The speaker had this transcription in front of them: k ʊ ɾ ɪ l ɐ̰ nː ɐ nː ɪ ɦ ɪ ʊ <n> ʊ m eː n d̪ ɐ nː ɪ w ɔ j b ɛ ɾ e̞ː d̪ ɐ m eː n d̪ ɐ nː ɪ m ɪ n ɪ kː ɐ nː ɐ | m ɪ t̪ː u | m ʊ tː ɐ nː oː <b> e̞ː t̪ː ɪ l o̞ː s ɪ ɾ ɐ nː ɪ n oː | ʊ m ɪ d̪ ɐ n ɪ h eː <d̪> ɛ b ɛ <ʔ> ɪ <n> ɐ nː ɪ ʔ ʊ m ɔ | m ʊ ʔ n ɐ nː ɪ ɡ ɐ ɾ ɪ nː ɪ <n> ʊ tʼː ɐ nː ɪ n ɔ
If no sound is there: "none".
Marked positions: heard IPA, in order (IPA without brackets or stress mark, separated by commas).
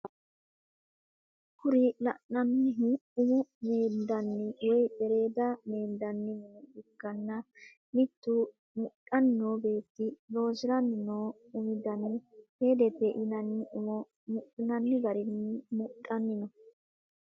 m, b, d̪, ʔ, n, m